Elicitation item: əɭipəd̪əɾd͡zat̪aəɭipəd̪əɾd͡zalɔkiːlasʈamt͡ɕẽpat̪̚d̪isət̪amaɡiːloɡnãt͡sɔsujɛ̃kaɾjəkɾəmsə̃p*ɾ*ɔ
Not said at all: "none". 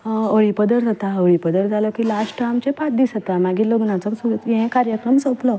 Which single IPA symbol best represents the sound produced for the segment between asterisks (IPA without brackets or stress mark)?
l